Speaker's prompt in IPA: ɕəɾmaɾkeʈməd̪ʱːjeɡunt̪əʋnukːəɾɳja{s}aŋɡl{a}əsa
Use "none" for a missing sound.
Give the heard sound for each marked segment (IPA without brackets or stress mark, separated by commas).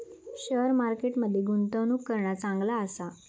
t͡s, a